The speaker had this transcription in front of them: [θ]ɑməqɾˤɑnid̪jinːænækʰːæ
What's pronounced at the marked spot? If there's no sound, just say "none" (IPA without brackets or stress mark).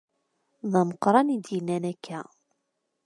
ð